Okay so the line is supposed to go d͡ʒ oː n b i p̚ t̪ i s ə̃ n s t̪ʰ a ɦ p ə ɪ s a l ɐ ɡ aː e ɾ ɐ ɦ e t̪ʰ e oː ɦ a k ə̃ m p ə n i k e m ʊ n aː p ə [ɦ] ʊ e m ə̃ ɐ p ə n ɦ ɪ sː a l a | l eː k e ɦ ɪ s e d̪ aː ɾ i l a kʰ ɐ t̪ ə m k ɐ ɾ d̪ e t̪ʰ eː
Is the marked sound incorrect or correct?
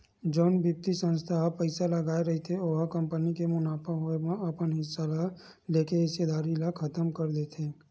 correct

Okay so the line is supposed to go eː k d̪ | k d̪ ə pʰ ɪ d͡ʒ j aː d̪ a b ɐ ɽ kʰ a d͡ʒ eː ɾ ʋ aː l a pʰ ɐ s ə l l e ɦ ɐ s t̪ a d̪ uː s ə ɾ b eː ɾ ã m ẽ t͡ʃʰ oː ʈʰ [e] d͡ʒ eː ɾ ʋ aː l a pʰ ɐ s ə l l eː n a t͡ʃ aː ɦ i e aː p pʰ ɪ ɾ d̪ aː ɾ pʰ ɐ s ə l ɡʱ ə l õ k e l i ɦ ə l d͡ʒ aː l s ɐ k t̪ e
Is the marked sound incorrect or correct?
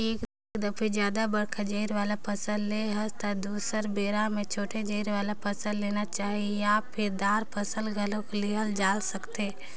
correct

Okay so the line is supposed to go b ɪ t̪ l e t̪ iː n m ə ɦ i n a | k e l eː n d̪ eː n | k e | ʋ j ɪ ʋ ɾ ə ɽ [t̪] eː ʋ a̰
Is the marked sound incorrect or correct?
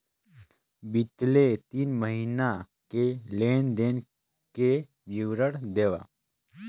incorrect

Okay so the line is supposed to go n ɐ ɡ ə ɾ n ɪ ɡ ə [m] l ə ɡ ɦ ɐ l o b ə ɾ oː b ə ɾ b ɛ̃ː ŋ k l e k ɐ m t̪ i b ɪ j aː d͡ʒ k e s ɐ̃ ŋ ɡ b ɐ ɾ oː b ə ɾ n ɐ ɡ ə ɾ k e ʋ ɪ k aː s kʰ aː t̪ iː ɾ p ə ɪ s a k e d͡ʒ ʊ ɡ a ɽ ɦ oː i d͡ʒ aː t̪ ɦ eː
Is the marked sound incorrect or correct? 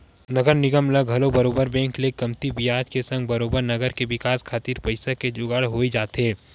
correct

